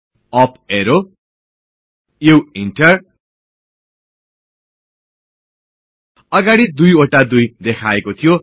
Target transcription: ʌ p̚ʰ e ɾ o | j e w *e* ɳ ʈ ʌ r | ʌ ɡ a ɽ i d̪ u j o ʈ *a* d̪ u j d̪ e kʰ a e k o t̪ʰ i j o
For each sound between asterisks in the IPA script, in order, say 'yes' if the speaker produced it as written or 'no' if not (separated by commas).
no, yes